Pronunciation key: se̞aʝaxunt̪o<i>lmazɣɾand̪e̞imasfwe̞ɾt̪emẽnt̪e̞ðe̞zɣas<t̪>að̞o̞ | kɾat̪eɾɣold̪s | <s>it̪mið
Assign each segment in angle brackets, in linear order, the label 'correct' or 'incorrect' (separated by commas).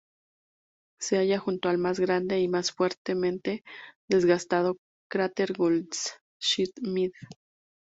incorrect, correct, incorrect